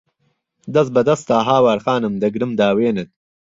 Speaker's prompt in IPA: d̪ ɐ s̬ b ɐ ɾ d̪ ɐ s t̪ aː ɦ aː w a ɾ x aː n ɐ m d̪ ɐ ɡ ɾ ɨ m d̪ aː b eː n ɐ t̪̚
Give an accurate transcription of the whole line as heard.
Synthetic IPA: d̪ ɐ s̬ b ɐ d̪ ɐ s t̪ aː ɦ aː w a ɾ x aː n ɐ m d̪ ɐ ɡ ɾ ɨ m d̪ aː w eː n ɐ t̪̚